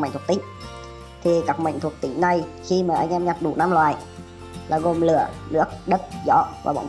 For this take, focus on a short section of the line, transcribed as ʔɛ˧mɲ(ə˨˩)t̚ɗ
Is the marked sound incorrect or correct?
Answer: incorrect: a˨˩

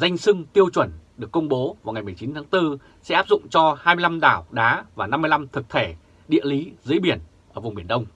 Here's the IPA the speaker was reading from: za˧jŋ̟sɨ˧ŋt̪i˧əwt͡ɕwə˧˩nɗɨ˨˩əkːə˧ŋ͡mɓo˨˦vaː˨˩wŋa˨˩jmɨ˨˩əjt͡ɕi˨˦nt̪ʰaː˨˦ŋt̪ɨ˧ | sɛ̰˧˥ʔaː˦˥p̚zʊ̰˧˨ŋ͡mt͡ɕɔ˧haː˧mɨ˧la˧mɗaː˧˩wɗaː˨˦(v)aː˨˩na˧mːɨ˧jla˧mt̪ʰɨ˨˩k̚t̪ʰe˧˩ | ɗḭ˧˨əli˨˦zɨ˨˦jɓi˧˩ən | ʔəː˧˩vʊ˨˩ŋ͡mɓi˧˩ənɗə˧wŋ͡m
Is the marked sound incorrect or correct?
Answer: correct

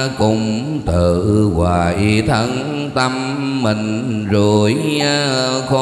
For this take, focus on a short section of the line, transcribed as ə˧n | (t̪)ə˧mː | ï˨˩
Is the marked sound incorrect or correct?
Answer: correct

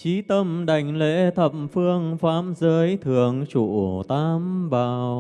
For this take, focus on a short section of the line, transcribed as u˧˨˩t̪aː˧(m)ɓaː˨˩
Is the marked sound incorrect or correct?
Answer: correct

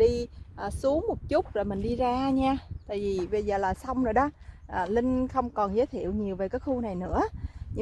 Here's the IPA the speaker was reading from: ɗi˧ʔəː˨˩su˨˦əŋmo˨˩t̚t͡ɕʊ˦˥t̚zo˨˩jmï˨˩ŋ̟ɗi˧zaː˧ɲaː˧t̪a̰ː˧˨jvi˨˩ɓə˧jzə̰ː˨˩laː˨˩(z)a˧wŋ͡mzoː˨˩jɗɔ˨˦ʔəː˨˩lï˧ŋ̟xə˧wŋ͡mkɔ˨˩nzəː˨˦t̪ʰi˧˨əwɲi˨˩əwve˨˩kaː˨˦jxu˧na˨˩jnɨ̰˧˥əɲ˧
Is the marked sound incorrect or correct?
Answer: incorrect: s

